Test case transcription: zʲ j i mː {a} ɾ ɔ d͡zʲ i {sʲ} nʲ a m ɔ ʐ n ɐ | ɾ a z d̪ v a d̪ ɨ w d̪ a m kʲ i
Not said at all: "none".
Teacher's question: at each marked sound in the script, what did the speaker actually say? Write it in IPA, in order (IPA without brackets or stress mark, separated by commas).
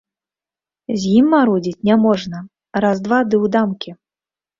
a, t͡sʲ